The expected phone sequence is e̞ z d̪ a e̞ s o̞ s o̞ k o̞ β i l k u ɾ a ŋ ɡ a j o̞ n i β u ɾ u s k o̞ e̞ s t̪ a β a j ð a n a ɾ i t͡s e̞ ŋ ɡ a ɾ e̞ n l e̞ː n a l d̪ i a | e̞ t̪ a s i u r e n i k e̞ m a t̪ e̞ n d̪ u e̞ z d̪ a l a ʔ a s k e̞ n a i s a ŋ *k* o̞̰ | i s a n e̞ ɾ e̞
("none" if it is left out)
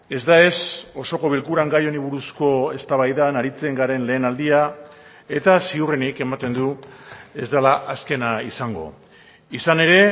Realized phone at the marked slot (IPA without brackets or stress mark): ɡ